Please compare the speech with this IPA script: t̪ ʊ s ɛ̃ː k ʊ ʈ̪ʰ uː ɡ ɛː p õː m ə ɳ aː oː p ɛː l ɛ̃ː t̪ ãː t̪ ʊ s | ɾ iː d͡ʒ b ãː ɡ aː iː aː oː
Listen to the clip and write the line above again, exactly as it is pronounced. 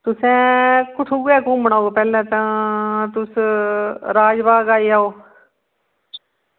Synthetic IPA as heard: t̪ ʊ s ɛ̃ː k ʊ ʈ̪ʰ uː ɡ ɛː k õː m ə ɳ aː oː p ɛː l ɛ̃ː t̪ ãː t̪ ʊ s | ɾ aː d͡ʒ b aː ɡ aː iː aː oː

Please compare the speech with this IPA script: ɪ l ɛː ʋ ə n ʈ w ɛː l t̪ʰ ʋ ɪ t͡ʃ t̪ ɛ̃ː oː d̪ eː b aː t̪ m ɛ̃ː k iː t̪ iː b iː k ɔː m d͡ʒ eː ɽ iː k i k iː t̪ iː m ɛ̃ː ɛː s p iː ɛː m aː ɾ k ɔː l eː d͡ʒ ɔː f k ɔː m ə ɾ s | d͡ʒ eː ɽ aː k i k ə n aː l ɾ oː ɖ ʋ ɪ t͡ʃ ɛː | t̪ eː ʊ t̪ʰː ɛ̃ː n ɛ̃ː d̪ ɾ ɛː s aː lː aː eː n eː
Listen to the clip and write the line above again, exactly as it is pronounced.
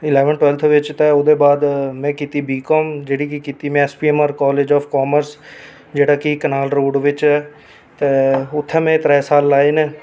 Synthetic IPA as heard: ɪ l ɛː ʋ ə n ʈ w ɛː l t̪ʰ ʋ ɪ t͡ʃ t̪ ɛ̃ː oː d̪ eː b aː d̪ m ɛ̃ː k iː t̪ iː b iː k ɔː m d͡ʒ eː ɽ iː k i k iː t̪ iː m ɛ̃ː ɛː s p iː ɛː m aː ɾ k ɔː l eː d͡ʒ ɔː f k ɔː m ə ɾ s | d͡ʒ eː ɽ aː k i k ə n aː l ɾ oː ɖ ʋ ɪ t͡ʃ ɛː | t̪ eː ʊ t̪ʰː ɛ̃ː m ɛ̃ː t̪ ɾ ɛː s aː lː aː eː n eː

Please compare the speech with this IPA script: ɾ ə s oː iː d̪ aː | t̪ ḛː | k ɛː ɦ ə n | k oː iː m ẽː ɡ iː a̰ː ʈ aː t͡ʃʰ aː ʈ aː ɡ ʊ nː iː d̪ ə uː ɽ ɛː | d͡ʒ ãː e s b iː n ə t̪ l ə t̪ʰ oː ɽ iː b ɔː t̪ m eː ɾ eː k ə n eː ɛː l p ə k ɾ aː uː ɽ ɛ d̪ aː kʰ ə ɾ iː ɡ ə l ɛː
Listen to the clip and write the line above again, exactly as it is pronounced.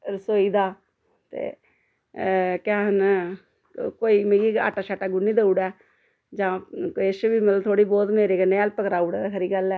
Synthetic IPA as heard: ɾ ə s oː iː d̪ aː | t̪ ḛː | k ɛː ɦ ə n | k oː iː m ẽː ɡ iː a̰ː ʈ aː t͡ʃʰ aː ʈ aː ɡ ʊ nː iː d̪ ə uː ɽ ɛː | d͡ʒ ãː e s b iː m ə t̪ l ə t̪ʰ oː ɽ iː b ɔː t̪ m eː ɾ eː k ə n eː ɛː l p ə k ɾ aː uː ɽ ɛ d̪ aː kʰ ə ɾ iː ɡ ə l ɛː

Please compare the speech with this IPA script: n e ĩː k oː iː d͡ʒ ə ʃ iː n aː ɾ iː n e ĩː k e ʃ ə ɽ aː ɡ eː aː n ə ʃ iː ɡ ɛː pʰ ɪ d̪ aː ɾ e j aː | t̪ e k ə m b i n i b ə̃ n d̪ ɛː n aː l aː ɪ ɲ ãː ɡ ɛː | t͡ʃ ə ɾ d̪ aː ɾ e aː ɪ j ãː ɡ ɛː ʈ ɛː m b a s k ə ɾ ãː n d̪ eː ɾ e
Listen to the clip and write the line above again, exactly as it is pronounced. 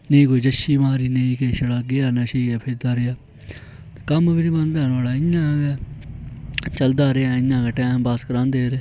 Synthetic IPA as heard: n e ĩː k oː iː d͡ʒ ə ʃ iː m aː ɾ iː n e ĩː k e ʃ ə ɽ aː ɡ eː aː n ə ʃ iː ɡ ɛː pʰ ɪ d̪ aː ɾ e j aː | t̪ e k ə m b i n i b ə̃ n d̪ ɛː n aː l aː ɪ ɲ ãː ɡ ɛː | t͡ʃ ə l d̪ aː ɾ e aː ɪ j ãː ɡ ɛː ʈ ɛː m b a s k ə ɾ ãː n d̪ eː ɾ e

